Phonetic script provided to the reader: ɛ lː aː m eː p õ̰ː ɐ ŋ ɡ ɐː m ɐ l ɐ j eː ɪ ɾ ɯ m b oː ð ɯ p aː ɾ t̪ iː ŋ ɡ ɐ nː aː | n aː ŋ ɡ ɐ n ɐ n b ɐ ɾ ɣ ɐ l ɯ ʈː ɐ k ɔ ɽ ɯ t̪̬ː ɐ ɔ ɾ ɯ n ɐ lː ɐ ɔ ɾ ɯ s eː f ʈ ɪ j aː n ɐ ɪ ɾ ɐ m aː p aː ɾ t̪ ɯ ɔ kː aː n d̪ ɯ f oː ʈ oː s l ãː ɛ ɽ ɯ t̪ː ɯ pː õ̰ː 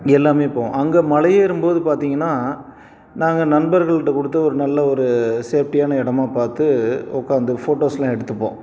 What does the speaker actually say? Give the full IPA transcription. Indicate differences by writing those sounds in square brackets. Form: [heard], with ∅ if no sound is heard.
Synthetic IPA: ɛ lː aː m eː p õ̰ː ɐ ŋ ɡ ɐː m ɐ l ɐ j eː ɪ ɾ ɯ m b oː ð ɯ p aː ɾ t̪ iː ŋ ɡ ɐ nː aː | n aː ŋ ɡ ɐ n ɐ n b ɐ ɾ ɣ ɐ [ɭ] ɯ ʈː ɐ k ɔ ɽ ɯ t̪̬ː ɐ ɔ ɾ ɯ n ɐ lː ɐ ɔ ɾ ɯ s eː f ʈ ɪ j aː n ɐ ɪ [ɽ] ɐ m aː p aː ɾ t̪ ɯ ɔ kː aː n d̪ ɯ f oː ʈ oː s l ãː ɛ ɽ ɯ t̪ː ɯ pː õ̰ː

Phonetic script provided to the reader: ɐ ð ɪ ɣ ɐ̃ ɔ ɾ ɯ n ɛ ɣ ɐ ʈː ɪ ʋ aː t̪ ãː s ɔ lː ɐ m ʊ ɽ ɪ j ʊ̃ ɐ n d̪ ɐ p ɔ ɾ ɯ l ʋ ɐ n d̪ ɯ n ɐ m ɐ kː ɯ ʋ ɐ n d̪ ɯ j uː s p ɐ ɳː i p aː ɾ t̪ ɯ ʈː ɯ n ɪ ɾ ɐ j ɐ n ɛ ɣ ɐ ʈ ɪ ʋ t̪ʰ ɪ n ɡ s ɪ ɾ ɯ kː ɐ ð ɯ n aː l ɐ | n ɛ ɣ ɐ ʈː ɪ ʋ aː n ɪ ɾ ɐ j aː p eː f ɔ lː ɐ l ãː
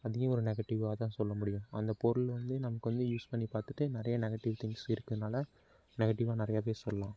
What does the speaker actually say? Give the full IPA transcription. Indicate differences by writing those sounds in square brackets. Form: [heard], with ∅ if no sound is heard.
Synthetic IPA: ɐ ð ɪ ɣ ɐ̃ ɔ ɾ ɯ n ɛ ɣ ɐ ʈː ɪ ʋ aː t̪ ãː s ɔ lː ɐ m ʊ ɽ ɪ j ʊ̃ ɐ n d̪ ɐ p ɔ ɾ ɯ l ʋ ɐ n d̪ ɯ n ɐ m ɐ kː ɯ ʋ ɐ n d̪ ɯ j uː s p ɐ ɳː i p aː ɾ t̪ ɯ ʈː ɯ n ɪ ɾ ɐ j ɐ n ɛ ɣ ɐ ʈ ɪ ʋ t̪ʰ ɪ [ŋ] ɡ s ɪ ɾ ɯ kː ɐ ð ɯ n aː l ɐ | n ɛ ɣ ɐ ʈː ɪ ʋ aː n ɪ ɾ ɐ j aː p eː [s] ɔ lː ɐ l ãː

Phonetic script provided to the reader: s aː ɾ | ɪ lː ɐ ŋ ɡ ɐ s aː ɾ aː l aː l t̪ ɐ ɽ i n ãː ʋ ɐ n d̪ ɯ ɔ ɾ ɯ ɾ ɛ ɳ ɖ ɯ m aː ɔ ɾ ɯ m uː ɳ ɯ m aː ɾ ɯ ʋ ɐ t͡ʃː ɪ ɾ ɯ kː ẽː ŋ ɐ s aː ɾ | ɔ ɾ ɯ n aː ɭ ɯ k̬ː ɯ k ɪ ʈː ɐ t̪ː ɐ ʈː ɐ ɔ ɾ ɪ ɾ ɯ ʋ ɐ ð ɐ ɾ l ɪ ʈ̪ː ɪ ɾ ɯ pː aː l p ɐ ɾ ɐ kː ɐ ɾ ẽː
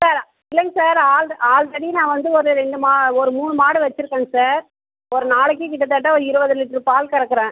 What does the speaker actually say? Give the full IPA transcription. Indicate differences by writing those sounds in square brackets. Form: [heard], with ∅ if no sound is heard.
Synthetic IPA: s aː ɾ | ɪ lː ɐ ŋ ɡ ɐ s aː ɾ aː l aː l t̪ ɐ ɽ i n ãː ʋ ɐ n d̪ ɯ ɔ ɾ ɯ ɾ ɛ ɳ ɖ ɯ m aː ɔ ɾ ɯ m uː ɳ ɯ m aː [ɽ] ɯ ʋ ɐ t͡ʃː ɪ ɾ ɯ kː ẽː ŋ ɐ s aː ɾ | ɔ ɾ ɯ n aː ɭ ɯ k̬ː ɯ k ɪ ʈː ɐ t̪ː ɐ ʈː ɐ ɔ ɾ ɪ ɾ ɯ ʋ ɐ ð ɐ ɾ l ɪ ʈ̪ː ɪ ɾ ɯ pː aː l [k] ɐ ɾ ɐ kː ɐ ɾ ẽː

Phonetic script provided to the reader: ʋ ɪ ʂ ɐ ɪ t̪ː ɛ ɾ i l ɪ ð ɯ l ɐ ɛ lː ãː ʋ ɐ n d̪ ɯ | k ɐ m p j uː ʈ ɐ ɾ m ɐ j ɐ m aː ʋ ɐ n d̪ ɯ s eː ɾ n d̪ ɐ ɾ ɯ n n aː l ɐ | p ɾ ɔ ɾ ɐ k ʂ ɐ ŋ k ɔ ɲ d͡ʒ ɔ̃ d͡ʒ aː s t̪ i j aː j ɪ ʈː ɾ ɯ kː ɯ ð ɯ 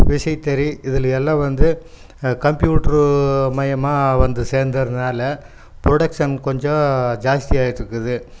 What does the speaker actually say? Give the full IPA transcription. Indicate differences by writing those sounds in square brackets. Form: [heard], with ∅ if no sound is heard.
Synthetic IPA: ʋ ɪ ʂ ɐ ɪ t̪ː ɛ ɾ i [∅] ɪ ð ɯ l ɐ ɛ lː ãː ʋ ɐ n d̪ ɯ | k ɐ m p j uː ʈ ɐ ɾ m ɐ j ɐ m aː ʋ ɐ n d̪ ɯ s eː ɾ n d̪ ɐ ɾ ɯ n n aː l ɐ | p ɾ ɔ [ɽ] ɐ k ʂ ɐ [n] k ɔ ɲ d͡ʒ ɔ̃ d͡ʒ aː s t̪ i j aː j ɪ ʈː ɾ ɯ kː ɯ ð ɯ

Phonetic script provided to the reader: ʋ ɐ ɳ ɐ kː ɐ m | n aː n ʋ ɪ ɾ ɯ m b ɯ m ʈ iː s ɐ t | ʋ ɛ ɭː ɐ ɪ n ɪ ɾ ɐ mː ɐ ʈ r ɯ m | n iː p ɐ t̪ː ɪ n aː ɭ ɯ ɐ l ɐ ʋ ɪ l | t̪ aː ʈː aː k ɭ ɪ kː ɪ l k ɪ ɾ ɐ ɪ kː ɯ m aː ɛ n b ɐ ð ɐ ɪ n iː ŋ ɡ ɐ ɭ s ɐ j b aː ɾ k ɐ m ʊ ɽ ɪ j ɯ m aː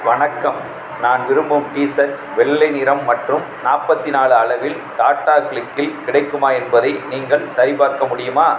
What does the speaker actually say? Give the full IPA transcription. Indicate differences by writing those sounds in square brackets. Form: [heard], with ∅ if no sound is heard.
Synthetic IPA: ʋ ɐ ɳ ɐ kː ɐ m | n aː n ʋ ɪ ɾ ɯ m b ɯ m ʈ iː s ɐ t | ʋ ɛ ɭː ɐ ɪ n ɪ ɾ ɐ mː ɐ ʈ r ɯ m | n [aː] p ɐ t̪ː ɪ n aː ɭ ɯ ɐ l ɐ ʋ ɪ l | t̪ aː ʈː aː k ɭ ɪ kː ɪ l k ɪ [ɽ] ɐ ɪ kː ɯ m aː ɛ n b ɐ ð ɐ ɪ n iː ŋ ɡ ɐ ɭ s ɐ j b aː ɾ k ɐ m ʊ ɽ ɪ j ɯ m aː

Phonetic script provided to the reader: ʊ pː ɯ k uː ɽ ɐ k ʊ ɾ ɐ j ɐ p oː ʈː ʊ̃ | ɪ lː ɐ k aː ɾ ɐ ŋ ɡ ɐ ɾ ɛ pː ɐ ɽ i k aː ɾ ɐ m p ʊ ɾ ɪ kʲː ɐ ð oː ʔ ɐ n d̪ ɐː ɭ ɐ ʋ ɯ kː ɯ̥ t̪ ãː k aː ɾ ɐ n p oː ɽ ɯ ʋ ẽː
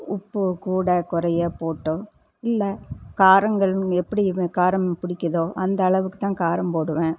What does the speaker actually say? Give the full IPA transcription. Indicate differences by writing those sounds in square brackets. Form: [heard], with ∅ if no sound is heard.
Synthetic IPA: ʊ pː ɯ k uː ɽ ɐ k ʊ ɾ ɐ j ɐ p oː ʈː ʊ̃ | ɪ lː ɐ k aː ɾ ɐ ŋ ɡ ɐ [ɭ] ɛ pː ɐ ɽ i k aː ɾ ɐ m p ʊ [ɽ] ɪ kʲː ɐ ð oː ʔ ɐ n d̪ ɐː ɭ ɐ ʋ ɯ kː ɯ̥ t̪ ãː k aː ɾ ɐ [m] p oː ɽ ɯ ʋ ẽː

